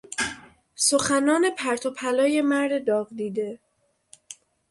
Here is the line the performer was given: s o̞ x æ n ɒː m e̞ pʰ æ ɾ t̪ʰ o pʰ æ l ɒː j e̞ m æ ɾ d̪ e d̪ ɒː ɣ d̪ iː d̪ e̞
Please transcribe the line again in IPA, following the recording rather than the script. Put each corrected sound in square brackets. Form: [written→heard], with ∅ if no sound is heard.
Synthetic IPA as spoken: s o̞ x æ n ɒː [m→n] e̞ pʰ æ ɾ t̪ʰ o pʰ æ l ɒː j e̞ m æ ɾ d̪ e d̪ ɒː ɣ d̪ iː d̪ e̞